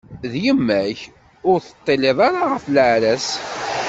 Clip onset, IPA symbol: ð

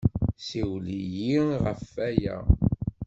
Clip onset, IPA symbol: s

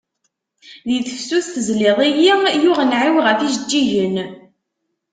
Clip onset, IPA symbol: ð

